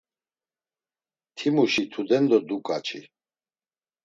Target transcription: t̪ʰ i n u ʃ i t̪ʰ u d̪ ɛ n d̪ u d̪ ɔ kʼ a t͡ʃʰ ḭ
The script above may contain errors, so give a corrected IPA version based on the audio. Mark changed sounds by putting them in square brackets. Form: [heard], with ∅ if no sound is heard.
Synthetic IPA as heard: t̪ʰ i [m] u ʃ i t̪ʰ u d̪ ɛ n d̪ [ɔ] d̪ [u] kʼ a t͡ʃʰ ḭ